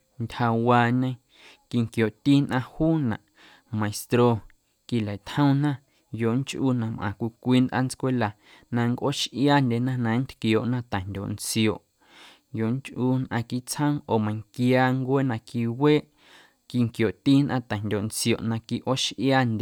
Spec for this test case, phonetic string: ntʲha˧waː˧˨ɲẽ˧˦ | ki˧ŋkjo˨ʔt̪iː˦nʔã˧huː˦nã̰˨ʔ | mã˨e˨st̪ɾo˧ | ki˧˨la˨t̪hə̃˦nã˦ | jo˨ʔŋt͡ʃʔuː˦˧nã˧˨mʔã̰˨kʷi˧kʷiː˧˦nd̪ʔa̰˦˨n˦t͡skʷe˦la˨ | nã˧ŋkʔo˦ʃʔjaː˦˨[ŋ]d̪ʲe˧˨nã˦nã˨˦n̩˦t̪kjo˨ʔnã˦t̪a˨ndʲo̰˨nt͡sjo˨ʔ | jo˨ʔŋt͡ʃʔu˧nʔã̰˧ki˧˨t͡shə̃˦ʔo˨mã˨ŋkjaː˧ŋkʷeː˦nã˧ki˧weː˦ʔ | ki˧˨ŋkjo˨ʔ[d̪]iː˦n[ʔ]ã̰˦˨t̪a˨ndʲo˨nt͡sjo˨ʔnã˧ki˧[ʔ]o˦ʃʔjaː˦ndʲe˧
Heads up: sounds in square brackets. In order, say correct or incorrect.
incorrect: n, incorrect: t̪, correct, correct

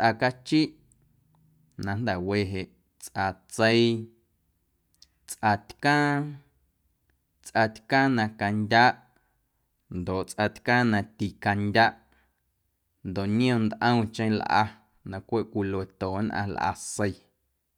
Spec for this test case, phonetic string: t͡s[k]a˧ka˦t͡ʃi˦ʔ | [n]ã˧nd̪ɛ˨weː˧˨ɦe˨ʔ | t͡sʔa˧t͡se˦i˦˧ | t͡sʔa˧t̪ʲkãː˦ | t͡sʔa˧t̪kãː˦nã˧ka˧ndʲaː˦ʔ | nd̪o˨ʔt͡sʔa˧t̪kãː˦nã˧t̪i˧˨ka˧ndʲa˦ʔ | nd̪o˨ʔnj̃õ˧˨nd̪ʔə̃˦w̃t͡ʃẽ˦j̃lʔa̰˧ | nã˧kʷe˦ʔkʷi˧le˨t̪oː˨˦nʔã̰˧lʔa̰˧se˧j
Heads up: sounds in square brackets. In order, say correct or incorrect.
incorrect: ʔ, correct

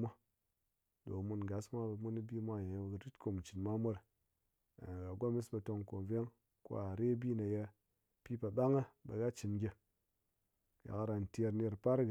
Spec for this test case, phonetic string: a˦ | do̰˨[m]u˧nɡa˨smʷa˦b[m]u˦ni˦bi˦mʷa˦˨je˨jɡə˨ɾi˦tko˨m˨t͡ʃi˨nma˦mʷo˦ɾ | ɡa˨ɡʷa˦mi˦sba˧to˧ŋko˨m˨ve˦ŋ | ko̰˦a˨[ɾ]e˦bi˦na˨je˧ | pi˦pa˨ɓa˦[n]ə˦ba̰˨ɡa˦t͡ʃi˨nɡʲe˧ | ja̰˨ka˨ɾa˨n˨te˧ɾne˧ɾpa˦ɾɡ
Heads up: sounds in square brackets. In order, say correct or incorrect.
correct, correct, correct, incorrect: ŋ

